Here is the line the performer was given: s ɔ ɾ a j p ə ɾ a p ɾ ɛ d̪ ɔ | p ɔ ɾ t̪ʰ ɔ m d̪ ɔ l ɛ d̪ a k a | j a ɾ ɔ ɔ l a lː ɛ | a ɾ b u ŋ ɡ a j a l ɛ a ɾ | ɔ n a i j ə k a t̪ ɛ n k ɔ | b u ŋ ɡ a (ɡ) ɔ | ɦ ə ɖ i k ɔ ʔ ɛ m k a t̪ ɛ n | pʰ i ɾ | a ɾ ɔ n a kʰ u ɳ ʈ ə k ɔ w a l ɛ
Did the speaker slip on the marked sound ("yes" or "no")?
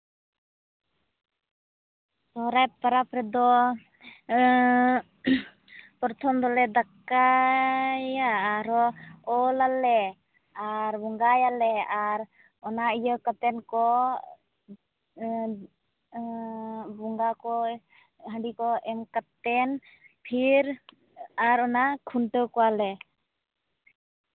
yes